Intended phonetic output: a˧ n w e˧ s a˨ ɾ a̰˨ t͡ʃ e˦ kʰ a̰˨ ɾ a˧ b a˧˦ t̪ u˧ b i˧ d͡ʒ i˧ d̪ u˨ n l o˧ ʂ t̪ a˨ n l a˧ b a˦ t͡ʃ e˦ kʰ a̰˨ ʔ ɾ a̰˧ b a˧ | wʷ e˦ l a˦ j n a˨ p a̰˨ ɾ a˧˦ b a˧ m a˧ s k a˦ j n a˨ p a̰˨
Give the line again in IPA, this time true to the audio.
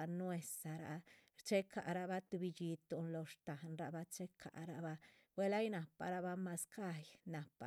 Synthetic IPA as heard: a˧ n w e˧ s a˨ ɾ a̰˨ t͡ʃ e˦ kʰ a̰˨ ɾ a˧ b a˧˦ t̪ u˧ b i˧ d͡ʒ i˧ t̪ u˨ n l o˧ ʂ t̪ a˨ n ɾ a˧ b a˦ t͡ʃ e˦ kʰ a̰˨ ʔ ɾ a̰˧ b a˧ | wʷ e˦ l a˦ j n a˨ p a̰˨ ɾ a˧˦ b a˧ m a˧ s k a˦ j n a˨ p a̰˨